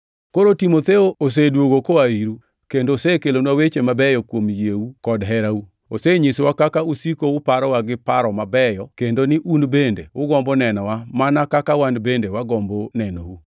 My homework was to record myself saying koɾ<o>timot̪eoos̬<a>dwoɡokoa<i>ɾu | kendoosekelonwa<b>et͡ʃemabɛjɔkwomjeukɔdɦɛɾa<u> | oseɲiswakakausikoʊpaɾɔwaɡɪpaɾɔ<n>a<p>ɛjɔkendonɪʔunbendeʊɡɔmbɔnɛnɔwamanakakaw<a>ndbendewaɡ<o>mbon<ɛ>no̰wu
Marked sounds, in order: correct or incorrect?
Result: correct, incorrect: e, correct, incorrect: w, correct, incorrect: m, incorrect: b, correct, incorrect: ɔ, correct

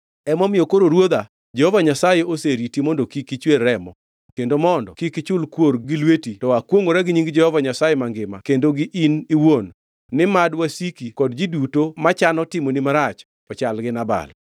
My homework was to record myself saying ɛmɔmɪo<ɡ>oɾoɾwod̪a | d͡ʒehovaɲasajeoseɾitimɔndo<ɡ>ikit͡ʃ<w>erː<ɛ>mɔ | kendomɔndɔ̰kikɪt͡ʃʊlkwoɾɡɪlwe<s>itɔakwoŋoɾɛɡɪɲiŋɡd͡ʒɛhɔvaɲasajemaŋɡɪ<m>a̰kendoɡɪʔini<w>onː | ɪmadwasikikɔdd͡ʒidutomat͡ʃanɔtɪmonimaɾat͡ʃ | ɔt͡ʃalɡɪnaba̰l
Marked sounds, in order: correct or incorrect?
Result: incorrect: k, incorrect: k, correct, correct, incorrect: t, correct, correct

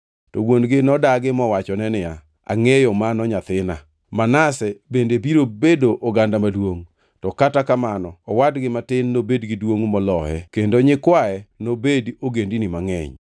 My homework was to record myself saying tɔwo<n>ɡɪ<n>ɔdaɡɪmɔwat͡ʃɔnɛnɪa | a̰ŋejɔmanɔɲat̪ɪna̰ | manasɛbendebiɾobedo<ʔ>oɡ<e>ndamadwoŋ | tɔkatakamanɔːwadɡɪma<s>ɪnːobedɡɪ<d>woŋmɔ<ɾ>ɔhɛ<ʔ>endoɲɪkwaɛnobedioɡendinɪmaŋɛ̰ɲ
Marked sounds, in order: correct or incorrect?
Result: correct, correct, correct, incorrect: a, incorrect: t, correct, incorrect: l, incorrect: k

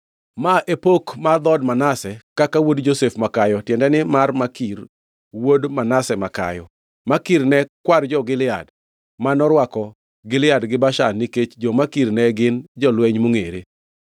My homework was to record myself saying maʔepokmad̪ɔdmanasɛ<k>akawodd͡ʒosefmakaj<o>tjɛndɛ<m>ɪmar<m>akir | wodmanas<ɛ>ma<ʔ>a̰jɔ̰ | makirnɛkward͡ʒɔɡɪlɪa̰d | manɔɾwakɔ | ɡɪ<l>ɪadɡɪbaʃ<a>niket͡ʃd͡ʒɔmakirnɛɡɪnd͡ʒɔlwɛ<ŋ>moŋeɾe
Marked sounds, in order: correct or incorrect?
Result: correct, incorrect: ɔ, incorrect: n, correct, correct, incorrect: k, correct, correct, incorrect: ɲ

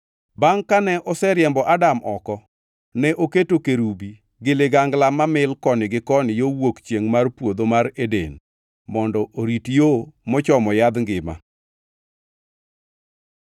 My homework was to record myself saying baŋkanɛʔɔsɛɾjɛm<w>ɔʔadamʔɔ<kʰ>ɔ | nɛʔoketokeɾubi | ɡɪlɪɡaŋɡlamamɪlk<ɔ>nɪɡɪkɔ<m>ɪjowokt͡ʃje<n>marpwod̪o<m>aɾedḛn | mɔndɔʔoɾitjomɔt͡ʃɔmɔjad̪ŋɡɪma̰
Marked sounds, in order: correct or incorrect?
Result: incorrect: b, incorrect: k, correct, incorrect: n, incorrect: ŋ, correct

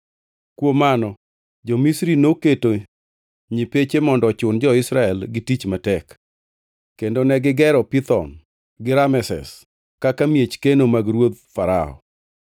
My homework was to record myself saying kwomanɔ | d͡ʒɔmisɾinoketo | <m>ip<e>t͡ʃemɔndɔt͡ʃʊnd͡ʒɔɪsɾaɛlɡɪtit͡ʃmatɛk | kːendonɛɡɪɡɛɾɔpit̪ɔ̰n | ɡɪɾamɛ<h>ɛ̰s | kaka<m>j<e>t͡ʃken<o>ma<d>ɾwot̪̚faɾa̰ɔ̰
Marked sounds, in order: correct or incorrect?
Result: incorrect: ɲ, correct, incorrect: s, correct, correct, correct, incorrect: ɡ

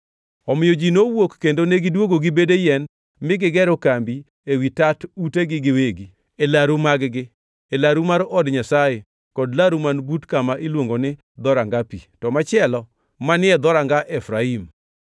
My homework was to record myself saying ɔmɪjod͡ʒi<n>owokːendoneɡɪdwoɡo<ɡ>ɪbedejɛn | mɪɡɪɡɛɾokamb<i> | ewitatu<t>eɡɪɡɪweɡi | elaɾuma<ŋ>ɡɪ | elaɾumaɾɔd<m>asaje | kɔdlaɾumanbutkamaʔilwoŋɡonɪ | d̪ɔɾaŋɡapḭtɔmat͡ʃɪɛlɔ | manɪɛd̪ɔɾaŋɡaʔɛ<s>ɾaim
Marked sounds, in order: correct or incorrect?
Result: correct, correct, correct, correct, incorrect: ɡ, incorrect: ɲ, incorrect: f

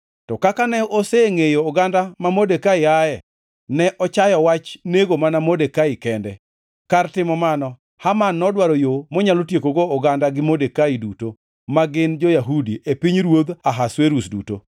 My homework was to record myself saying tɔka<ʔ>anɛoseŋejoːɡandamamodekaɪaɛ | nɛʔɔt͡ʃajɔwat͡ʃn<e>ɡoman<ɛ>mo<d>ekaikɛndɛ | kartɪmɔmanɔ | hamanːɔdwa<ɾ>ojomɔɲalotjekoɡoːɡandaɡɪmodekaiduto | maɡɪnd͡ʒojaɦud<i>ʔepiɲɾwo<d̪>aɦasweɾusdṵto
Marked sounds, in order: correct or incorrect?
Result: incorrect: k, correct, incorrect: a, correct, correct, correct, correct

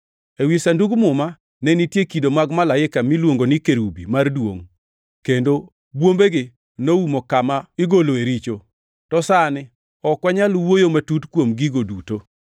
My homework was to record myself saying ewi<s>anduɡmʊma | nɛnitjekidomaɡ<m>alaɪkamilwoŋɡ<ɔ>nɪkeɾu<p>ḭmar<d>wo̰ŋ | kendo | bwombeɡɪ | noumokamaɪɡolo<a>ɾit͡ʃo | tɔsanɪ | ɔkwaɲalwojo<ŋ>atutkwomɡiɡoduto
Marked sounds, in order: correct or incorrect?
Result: correct, correct, incorrect: o, incorrect: b, correct, incorrect: e, incorrect: m

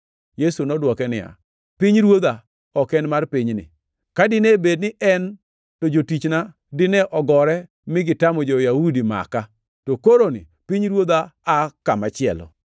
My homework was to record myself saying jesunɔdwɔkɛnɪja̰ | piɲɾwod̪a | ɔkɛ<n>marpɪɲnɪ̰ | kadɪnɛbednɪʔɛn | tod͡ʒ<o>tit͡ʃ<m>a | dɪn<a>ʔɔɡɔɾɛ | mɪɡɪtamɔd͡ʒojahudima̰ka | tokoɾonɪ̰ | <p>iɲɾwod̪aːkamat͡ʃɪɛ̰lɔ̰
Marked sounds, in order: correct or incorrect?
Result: correct, correct, incorrect: n, incorrect: ɛ, correct

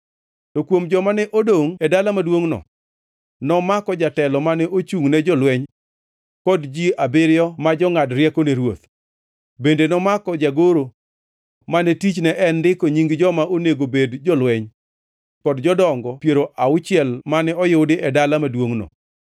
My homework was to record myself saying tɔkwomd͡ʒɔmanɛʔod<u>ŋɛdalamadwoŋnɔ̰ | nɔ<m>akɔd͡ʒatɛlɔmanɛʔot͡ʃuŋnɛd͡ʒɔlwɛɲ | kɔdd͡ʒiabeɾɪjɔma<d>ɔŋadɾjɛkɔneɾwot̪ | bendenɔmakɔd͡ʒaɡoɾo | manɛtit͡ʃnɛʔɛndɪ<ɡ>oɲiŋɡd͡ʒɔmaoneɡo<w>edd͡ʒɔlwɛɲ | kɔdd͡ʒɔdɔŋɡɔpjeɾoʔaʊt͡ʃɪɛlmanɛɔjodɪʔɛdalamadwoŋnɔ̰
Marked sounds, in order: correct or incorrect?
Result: incorrect: o, correct, incorrect: d͡ʒ, incorrect: k, incorrect: b

